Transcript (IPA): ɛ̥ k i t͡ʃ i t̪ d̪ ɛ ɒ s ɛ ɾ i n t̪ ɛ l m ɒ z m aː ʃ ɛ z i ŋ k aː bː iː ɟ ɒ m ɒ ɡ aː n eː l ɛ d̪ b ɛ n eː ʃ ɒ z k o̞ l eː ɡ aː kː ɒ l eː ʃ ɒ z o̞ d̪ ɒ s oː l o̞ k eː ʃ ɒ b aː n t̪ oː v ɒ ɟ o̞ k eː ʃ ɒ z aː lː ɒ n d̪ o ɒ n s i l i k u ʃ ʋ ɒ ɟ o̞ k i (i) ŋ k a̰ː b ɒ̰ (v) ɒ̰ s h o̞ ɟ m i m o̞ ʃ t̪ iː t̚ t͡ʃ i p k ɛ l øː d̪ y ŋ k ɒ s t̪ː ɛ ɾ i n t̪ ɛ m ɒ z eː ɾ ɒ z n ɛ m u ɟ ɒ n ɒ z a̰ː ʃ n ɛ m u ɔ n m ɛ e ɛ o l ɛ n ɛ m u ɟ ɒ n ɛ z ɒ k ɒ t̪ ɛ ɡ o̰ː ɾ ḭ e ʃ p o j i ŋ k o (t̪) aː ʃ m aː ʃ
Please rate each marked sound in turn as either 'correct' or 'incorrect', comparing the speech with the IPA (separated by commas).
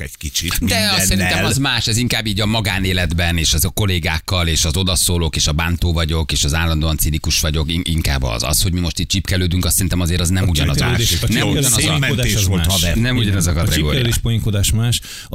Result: correct, incorrect, incorrect